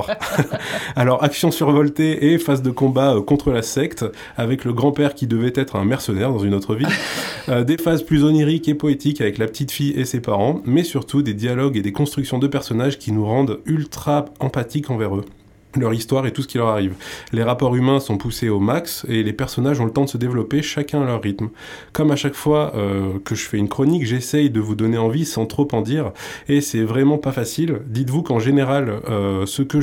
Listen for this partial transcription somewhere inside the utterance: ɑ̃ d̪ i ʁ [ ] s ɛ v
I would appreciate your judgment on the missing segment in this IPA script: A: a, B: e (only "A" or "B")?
B